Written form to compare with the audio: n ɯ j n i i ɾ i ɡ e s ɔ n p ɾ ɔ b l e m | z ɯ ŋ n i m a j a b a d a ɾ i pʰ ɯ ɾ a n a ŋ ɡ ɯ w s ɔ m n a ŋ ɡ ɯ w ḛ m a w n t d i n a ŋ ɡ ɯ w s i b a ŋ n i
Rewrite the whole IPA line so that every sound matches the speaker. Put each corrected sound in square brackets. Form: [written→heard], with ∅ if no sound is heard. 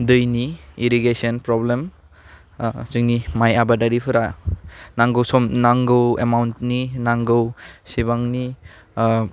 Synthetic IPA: [n→d] ɯ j n i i ɾ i ɡ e s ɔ n p ɾ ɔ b l e m | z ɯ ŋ n i m a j a b a d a ɾ i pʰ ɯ ɾ a n a ŋ ɡ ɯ w s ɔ m n a ŋ ɡ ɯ w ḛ m a w n t [d→n] i n a ŋ ɡ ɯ w s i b a ŋ n i